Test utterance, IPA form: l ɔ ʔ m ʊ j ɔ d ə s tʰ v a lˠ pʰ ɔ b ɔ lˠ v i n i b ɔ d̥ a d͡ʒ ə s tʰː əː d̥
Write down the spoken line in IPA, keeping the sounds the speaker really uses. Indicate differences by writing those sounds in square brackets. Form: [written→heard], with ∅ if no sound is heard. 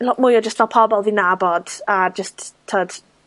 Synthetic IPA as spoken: l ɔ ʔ m ʊ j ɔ [d→d͡ʒ] ə s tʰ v [a→ɛ] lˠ pʰ ɔ b ɔ lˠ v i n [i→a] b ɔ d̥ a d͡ʒ ə s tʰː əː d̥